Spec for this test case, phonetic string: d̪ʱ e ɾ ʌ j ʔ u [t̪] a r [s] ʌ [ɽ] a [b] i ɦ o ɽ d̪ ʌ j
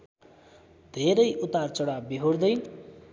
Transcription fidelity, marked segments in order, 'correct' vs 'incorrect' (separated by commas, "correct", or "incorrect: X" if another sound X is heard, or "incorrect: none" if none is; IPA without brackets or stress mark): correct, incorrect: t͡s, correct, correct